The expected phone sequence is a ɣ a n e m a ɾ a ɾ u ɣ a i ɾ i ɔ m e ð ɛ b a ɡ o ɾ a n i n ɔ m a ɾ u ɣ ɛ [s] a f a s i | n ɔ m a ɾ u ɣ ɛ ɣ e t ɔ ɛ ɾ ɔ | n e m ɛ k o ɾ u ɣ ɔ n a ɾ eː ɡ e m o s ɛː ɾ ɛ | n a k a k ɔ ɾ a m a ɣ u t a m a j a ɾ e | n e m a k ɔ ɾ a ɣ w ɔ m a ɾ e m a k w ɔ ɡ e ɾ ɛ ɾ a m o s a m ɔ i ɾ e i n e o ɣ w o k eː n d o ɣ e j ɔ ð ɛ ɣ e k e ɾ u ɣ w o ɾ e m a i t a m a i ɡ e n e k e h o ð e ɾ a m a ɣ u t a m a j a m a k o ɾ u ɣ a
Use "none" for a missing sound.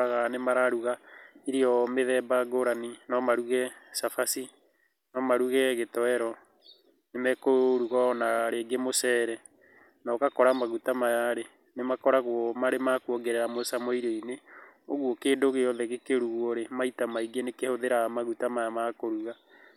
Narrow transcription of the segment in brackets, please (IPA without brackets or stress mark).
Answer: s